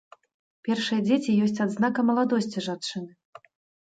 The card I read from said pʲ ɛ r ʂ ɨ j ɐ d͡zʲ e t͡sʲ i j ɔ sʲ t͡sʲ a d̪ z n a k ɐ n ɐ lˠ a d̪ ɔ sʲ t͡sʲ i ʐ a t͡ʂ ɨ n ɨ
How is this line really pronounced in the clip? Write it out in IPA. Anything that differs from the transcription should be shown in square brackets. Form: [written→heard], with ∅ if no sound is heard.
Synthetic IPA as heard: pʲ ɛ r ʂ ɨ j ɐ d͡zʲ e t͡sʲ i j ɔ sʲ t͡sʲ a d̪ z n a k ɐ [n→m] ɐ lˠ a d̪ ɔ sʲ t͡sʲ i ʐ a t͡ʂ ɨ n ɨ